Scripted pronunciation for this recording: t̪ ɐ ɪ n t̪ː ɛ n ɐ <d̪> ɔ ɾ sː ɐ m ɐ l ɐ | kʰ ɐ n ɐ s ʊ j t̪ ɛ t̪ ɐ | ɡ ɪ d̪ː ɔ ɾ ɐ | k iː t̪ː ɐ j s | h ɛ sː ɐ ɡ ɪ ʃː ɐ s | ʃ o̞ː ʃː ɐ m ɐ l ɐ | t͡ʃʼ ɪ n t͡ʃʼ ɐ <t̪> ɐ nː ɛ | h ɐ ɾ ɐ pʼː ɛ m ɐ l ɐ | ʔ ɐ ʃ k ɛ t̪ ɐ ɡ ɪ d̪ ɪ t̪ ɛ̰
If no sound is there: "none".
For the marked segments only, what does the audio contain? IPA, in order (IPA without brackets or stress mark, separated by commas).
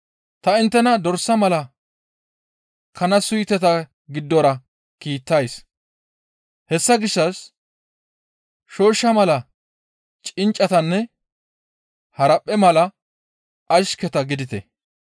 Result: d̪, t̪